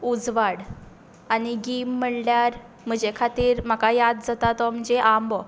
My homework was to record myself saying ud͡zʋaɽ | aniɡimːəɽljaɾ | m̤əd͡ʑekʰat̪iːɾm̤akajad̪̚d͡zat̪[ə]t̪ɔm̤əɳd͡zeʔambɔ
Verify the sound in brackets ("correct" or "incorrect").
incorrect